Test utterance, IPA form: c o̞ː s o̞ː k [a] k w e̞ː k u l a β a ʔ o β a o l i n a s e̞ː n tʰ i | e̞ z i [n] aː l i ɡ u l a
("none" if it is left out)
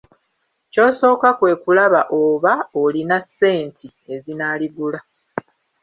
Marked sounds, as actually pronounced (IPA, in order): a, n

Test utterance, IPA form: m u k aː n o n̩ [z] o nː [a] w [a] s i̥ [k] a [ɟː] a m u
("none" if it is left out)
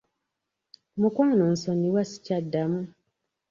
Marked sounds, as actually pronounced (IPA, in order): s, i, a, c, dː

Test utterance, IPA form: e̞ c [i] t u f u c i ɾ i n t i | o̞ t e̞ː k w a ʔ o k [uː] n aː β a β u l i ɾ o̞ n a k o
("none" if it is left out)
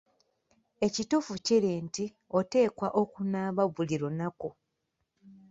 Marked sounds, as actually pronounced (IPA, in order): i, u

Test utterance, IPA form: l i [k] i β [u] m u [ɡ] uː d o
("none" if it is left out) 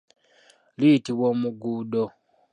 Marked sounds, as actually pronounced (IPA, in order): t, o, ɡ

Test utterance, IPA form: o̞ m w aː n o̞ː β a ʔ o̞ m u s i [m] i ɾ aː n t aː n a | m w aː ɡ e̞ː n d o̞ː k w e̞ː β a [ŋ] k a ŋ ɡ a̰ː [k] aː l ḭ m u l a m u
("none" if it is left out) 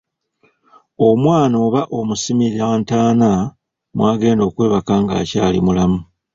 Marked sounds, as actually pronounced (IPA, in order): m, none, c

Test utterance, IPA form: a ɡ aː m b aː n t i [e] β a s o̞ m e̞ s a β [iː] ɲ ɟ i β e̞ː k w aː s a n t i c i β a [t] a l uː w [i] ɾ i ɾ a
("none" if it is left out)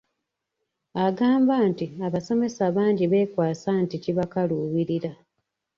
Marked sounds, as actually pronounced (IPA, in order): a, aː, k, i

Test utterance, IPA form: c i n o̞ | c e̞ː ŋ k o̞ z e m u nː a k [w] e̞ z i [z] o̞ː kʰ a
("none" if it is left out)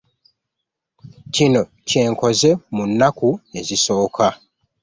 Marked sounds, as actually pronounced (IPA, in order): u, s

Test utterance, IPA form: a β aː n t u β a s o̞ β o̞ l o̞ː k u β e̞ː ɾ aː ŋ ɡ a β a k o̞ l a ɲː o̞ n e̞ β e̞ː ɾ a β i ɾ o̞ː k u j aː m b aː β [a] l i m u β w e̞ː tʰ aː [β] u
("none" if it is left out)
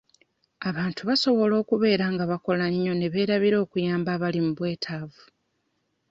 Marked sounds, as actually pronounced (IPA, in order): a, v

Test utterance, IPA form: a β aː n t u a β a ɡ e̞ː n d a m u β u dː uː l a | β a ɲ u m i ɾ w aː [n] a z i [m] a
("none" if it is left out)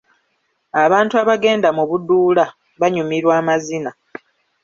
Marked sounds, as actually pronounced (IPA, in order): m, n

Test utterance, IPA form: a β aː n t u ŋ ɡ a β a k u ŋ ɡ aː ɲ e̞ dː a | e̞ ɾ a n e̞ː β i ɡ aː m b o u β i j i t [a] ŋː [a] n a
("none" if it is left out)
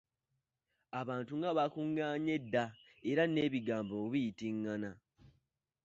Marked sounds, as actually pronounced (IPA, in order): i, a

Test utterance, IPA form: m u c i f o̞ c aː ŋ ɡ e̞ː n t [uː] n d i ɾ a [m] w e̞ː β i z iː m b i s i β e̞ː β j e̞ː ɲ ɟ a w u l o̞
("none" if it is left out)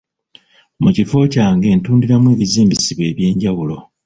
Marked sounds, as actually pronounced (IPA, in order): uː, m

